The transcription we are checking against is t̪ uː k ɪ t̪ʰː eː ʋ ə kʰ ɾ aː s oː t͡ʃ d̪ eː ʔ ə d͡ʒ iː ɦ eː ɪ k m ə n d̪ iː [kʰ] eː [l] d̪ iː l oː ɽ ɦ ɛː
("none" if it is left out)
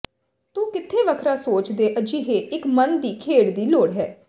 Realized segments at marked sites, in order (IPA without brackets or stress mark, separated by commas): kʰ, ɽ